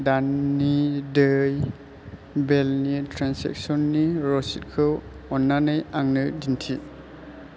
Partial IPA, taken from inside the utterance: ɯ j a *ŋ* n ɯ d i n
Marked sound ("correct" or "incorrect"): correct